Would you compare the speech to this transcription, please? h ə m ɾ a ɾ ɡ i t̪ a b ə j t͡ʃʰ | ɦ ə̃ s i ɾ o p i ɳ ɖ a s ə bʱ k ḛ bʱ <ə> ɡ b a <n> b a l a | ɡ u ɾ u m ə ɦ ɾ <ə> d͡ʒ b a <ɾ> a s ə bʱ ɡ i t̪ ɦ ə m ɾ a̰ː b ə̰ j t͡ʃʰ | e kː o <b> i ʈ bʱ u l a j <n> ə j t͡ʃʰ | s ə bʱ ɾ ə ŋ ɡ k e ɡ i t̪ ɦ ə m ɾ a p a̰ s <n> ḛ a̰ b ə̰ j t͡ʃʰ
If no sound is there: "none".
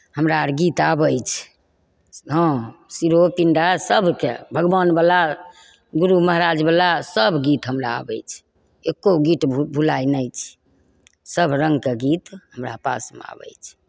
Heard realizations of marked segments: ə, n, a, l, ɡ, n, m

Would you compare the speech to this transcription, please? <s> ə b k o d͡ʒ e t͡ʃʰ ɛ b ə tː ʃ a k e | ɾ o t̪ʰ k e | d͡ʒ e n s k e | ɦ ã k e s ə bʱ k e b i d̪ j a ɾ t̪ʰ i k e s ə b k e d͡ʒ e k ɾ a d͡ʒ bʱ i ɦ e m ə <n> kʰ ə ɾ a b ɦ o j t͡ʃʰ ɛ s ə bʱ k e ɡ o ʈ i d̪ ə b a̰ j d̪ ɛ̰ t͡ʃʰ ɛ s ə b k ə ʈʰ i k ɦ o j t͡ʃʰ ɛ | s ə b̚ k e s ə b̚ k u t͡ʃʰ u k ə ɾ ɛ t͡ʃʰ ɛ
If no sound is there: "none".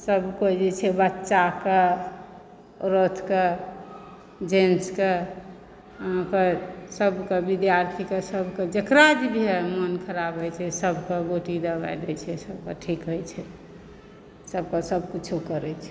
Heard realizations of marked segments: s, n

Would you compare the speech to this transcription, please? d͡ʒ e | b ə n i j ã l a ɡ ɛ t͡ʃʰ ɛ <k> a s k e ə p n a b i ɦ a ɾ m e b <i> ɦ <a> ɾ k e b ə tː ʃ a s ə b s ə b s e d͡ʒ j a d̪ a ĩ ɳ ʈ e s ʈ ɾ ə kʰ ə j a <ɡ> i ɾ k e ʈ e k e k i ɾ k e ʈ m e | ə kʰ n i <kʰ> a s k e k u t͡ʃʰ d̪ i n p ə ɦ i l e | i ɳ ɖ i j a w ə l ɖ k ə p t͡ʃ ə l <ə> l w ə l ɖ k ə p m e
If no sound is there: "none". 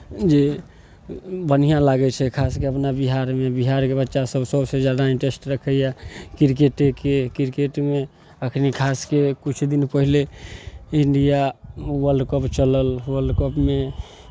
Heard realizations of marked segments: kʰ, i, a, k, kʰ, ə

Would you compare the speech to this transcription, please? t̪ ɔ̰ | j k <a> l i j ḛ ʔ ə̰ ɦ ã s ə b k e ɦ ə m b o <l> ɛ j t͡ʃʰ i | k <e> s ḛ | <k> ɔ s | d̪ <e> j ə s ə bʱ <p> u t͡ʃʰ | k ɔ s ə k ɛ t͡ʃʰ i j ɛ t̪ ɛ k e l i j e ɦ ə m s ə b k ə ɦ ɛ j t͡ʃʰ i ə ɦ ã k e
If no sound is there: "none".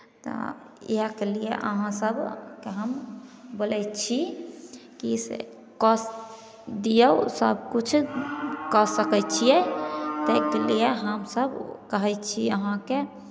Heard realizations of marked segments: e, l, i, k, i, k

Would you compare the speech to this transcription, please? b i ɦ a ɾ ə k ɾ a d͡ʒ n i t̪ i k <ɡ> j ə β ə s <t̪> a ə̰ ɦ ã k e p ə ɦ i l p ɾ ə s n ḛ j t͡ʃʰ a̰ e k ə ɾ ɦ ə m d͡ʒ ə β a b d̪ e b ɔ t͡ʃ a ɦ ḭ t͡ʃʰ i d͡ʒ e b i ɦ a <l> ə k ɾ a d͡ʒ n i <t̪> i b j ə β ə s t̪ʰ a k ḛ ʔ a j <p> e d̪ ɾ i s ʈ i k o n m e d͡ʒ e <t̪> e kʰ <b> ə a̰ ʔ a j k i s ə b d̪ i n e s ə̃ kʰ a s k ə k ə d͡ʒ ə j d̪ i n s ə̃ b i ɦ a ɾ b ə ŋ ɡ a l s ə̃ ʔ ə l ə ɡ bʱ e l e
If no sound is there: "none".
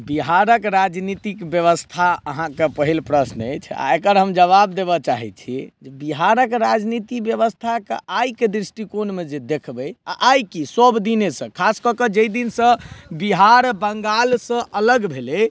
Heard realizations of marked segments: b, t̪ʰ, ɾ, t̪, k, d̪, b

